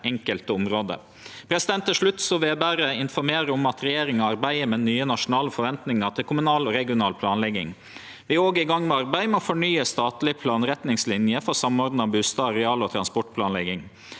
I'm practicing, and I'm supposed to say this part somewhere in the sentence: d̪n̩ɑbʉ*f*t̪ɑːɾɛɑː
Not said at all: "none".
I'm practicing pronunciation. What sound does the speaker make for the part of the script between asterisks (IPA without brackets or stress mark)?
s